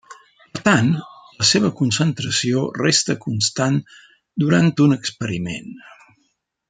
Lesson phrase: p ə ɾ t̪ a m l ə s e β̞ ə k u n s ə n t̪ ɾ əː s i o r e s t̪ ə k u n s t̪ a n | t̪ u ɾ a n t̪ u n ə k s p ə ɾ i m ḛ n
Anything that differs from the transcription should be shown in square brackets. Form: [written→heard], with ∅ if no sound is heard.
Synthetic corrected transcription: p ə ɾ t̪ a [m→n] l ə s e β̞ ə k u n s ə n t̪ ɾ [əː→ə] s i o r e s t̪ ə k u n s t̪ a n | [t̪→d̪] u ɾ a n t̪ u n ə k s p ə ɾ i m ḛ n